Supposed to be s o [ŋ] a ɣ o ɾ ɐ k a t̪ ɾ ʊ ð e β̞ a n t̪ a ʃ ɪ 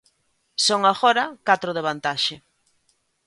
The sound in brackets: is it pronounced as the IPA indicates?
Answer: yes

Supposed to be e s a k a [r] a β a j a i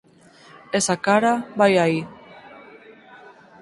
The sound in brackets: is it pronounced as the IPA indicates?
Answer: no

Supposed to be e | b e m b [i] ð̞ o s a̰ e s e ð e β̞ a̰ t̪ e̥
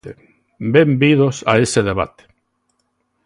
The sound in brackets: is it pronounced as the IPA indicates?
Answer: yes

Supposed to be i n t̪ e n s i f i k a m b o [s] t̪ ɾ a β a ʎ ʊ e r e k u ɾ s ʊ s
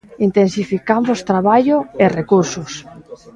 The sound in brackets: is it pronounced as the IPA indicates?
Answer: yes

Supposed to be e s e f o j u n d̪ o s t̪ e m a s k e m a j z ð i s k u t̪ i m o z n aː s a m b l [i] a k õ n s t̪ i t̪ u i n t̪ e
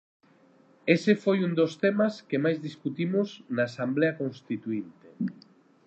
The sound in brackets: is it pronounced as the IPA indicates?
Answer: no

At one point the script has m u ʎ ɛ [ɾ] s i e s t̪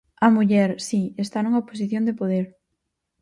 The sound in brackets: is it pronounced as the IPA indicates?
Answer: yes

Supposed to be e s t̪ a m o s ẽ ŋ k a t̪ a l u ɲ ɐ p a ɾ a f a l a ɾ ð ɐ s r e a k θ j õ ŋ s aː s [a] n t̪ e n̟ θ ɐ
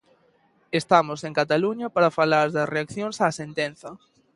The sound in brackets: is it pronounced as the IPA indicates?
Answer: no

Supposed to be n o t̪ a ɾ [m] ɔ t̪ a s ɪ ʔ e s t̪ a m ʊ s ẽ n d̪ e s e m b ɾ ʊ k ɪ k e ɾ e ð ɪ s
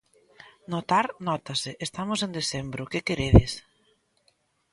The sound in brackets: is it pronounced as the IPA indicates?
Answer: no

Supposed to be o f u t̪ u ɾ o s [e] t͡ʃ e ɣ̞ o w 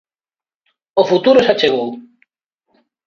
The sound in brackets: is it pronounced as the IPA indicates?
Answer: no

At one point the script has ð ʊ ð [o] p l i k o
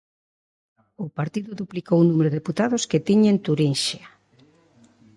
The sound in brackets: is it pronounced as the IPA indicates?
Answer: no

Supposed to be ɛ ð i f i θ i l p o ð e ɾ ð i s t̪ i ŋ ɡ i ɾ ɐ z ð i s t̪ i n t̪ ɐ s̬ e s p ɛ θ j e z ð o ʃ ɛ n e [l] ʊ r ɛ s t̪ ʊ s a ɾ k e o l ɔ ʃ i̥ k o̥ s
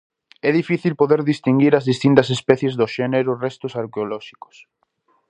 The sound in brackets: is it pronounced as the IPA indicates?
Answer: no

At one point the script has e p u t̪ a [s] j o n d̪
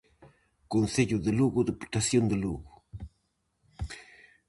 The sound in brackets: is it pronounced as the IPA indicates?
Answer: yes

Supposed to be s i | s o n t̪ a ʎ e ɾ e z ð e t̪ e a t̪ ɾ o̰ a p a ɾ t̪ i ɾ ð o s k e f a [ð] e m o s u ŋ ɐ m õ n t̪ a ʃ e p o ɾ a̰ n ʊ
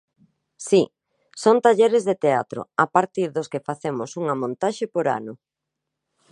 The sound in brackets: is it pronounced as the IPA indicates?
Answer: no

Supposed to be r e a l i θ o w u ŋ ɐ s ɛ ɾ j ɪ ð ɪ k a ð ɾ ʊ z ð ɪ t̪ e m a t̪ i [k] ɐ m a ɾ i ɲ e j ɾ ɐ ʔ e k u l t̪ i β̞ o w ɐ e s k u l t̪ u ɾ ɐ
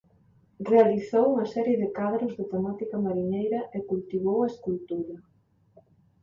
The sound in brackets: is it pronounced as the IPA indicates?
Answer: yes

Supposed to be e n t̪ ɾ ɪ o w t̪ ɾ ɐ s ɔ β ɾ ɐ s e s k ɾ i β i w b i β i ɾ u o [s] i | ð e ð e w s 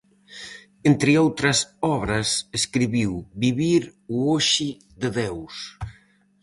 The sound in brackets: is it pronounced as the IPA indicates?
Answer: no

